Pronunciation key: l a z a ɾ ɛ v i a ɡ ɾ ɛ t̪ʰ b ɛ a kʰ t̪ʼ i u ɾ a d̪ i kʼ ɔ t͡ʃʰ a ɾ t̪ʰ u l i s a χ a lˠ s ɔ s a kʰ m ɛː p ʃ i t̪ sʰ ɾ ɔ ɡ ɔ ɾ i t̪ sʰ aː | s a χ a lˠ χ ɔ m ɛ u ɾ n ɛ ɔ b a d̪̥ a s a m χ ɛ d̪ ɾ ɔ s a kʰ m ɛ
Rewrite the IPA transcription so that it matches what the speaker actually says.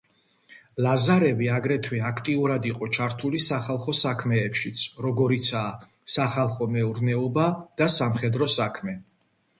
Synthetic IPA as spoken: l a z a ɾ ɛ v i a ɡ ɾ ɛ t̪ʰ w ɛ a kʰ t̪ʼ i u ɾ a d̪ i qʼ ɔ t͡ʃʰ a ɾ t̪ʰ u l i s a χ a lˠ χ ɔ s a kʰ m ɛː p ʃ i t̪ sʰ ɾ ɔ ɡ ɔ ɾ i t̪ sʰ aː | s a χ a lˠ χ ɔ m ɛ u ɾ n ɛ ɔ b a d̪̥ a s a m χ ɛ d̪ ɾ ɔ s a kʰ m ɛ

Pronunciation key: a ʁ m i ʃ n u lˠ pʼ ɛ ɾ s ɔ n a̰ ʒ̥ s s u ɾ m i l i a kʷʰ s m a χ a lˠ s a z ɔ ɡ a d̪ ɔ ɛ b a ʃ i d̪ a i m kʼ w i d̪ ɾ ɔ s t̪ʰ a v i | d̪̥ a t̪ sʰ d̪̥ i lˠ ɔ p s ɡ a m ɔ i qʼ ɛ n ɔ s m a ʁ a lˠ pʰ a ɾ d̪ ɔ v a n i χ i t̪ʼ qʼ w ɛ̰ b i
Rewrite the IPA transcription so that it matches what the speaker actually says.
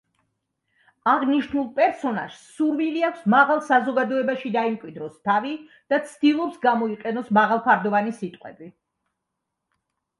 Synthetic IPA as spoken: a ʁ n i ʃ n u lˠ pʼ ɛ ɾ s ɔ n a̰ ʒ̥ s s u ɾ m i l i a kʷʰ s m a ʁ a lˠ s a z ɔ ɡ a d̪ ɔ ɛ b a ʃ i d̪ a i m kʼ w i d̪ ɾ ɔ s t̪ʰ a v i | d̪̥ a t̪ sʰ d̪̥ i lˠ ɔ p s ɡ a m ɔ i qʼ ɛ n ɔ s m a ʁ a lˠ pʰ a ɾ d̪ ɔ v a n i s i t̪ʼ qʼ w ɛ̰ b i

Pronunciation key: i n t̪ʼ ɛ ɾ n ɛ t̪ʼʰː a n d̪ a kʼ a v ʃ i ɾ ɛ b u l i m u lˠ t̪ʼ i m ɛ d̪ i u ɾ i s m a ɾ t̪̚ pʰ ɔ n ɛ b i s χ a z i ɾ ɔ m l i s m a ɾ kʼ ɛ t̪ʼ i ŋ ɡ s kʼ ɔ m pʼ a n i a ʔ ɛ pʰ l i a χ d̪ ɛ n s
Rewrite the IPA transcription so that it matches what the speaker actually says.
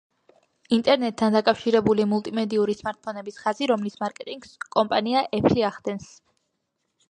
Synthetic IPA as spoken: i n t̪ʼ ɛ ɾ n ɛ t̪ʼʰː a n d̪ a kʼ a f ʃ i ɾ ɛ b u l i m u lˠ t̪ʼ i m ɛ d̪ i u ɾ i s m a ɾ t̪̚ pʰ ɔ n ɛ b i s χ a z i ɾ ɔ m l i s m a ɾ kʼ ɛ t̪ʼ i ŋ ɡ s kʼ ɔ m pʼ a n i a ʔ ɛ pʰ l i a χ d̪ ɛ n s

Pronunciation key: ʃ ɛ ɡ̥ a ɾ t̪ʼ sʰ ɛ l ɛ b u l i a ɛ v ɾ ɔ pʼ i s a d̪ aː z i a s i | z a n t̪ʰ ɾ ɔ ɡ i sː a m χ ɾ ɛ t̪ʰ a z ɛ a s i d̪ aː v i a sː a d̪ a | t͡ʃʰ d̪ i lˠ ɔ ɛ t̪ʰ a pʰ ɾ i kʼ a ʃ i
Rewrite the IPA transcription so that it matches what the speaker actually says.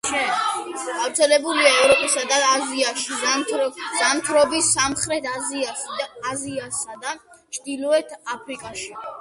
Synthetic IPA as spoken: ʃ ɛ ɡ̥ a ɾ t̪ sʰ ɛ l ɛ b u l i a ɛ v ɾ ɔ pʼ i s a d̪ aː z i a ʃ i | z a n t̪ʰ ɾ ɔ b i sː a m χ ɾ ɛ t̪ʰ a z i a s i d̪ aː z i a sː a d̪ a | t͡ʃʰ d̪ i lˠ ɔ ɛ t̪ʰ a pʰ ɾ i kʼ a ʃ i

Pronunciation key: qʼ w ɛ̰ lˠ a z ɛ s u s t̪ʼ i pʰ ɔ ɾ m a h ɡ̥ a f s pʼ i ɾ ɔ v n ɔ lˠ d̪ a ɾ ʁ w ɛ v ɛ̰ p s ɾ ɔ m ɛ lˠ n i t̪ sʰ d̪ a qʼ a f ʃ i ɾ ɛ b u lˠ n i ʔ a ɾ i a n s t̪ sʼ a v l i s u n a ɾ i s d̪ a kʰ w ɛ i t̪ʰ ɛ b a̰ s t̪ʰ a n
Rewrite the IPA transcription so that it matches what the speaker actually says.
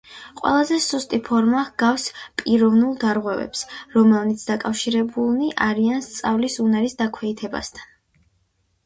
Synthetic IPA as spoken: qʼ w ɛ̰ lˠ a z ɛ s u s t̪ʼ i pʰ ɔ ɾ m a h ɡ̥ a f s pʼ i ɾ ɔ v n u lˠ d̪ a ɾ ʁ w ɛ v ɛ̰ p s ɾ ɔ m ɛ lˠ n i t̪ sʰ d̪ a kʼ a f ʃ i ɾ ɛ b u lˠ n i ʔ a ɾ i a n s t̪ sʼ a v l i s u n a ɾ i s d̪ a kʰ w ɛ i t̪ʰ ɛ b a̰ s t̪ʰ a n

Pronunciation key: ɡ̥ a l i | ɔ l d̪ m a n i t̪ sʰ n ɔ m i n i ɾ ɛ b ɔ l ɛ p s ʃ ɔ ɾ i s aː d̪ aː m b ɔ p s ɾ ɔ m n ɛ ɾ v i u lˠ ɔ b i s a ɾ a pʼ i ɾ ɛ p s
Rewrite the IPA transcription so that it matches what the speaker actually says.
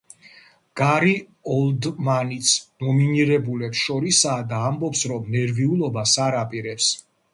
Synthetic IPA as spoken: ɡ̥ a ɾ i | ɔ l d̪ m a n i t̪ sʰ n ɔ m i n i ɾ ɛ b u l ɛ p s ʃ ɔ ɾ i s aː d̪ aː m b ɔ p s ɾ ɔ m n ɛ ɾ v i u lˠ ɔ b a s a ɾ a pʼ i ɾ ɛ p s

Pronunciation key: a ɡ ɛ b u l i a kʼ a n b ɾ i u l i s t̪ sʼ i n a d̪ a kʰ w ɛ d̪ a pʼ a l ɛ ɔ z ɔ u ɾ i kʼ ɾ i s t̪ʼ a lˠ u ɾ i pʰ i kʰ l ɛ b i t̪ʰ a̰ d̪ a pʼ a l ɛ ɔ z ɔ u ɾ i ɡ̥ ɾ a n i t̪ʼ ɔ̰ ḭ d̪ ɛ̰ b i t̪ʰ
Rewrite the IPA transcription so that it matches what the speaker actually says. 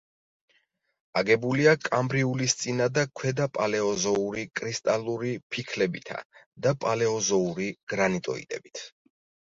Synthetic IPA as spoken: a ɡ ɛ b u l i a kʼ a m b ɾ i u l i s t̪ sʼ i n a d̪ a kʰ w ɛ d̪ a pʼ a l ɛ ɔ z ɔ u ɾ i kʼ ɾ i s t̪ʼ a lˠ u ɾ i pʰ i kʰ l ɛ b i t̪ʰ a̰ d̪ a pʼ a l ɛ ɔ z ɔ u ɾ i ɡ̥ ɾ a n i t̪ʼ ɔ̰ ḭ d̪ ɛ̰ b i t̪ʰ

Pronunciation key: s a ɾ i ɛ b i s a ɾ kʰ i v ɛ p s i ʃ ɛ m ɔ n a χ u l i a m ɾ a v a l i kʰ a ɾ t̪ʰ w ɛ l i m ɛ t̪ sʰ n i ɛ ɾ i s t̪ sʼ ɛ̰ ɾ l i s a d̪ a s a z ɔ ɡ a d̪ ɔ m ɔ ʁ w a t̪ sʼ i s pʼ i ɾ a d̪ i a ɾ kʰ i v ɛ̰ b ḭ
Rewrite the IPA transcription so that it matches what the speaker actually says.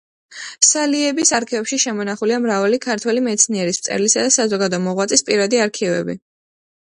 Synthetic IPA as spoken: s a l i ɛ b i s a ɾ kʰ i v ɛ p ʃ i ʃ ɛ m ɔ n a χ u l i a m ɾ a v a l i kʰ a ɾ t̪ʰ w ɛ l i m ɛ t̪ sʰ n i ɛ ɾ i s t̪ sʼ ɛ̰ ɾ l i s a d̪ a s a z ɔ ɡ a d̪ ɔ m ɔ ʁ w a t̪ sʼ i s pʼ i ɾ a d̪ i a ɾ kʰ i v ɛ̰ b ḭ

